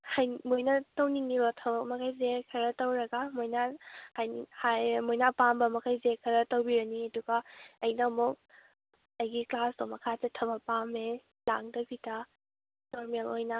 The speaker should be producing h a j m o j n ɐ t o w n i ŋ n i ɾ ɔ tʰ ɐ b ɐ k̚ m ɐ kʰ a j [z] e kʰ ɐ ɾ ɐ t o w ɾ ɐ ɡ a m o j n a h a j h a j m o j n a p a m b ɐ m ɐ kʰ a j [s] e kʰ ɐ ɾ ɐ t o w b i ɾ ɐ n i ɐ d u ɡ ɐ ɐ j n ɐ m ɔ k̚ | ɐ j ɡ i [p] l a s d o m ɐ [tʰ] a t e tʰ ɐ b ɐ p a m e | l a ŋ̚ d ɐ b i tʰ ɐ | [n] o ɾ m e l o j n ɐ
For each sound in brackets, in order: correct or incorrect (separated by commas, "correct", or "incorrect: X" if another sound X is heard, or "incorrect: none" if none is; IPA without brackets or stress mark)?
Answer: correct, incorrect: z, incorrect: k, incorrect: kʰ, correct